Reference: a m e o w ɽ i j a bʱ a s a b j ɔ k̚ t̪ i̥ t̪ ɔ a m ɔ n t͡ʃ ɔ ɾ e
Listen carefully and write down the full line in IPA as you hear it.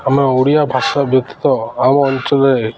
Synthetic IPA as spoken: a m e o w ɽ i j a bʱ a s a b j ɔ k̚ t̪ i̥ t̪ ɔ a m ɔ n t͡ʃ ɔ l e